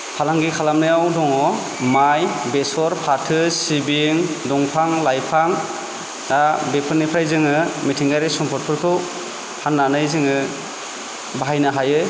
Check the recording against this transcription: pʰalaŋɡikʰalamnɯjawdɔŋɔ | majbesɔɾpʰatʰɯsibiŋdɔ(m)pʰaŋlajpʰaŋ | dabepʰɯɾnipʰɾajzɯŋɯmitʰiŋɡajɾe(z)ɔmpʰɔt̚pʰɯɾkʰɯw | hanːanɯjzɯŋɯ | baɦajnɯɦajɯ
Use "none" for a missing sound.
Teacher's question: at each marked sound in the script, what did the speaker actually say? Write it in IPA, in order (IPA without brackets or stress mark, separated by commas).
ŋ, s